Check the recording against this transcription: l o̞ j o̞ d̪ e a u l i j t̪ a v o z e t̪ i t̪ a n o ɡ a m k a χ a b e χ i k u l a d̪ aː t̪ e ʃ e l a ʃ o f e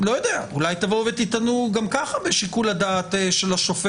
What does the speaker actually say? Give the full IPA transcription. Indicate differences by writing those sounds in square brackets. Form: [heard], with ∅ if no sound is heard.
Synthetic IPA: l o̞ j o̞ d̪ e a u l [a] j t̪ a v o [v] e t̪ i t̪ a n [u] ɡ a m k a χ a b e [ʃ] i k u l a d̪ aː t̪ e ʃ e l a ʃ o f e